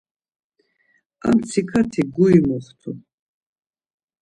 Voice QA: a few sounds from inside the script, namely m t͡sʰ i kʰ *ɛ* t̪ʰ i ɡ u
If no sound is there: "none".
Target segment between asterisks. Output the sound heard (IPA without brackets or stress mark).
a